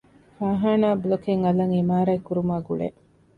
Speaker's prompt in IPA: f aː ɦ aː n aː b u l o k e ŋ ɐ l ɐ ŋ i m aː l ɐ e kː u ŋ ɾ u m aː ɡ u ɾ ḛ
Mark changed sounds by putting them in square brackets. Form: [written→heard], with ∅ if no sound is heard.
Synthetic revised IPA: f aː ɦ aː n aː b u l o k e ŋ ɐ l ɐ ŋ i m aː [l→ɾ] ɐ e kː u [ŋ→∅] ɾ u m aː ɡ u [ɾ→ɭ] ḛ